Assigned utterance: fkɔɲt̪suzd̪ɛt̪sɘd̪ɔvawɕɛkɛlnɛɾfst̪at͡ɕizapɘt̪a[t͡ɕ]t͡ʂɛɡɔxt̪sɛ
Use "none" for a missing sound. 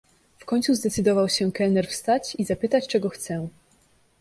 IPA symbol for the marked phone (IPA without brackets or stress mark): t͡ɕ